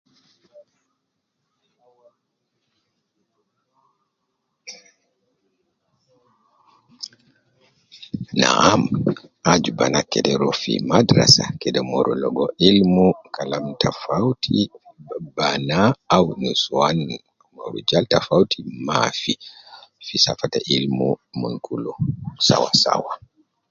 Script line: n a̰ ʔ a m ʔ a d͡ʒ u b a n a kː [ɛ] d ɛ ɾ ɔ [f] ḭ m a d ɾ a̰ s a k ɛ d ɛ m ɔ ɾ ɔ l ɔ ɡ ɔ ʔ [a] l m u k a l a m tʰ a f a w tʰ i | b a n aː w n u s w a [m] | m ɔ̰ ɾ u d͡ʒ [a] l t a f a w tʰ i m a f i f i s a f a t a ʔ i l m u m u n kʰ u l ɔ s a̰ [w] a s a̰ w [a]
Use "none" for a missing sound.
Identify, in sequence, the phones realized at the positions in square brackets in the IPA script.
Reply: ɛ, f, i, n, a, w, a

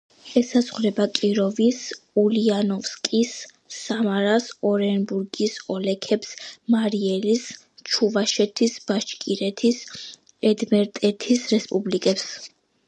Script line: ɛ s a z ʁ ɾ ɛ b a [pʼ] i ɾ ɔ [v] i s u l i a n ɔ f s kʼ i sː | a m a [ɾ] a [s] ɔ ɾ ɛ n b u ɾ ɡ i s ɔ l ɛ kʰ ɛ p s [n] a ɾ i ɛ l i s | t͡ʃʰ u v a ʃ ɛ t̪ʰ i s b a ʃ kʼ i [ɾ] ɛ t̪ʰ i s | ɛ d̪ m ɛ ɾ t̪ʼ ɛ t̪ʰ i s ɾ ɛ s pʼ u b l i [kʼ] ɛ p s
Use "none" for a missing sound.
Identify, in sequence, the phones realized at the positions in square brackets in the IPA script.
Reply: kʼ, v, ɾ, s, m, ɾ, kʼ

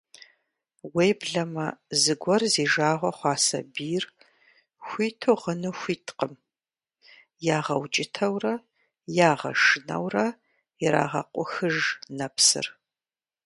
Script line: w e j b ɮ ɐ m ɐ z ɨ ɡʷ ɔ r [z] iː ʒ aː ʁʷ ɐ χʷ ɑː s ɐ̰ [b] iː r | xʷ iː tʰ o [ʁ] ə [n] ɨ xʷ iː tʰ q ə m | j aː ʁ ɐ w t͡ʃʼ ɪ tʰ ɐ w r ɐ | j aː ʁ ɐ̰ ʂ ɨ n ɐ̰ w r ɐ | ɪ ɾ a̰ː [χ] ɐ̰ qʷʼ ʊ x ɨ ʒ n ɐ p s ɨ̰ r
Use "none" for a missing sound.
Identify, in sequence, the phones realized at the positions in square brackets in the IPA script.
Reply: z, b, ʁ, n, ʁ

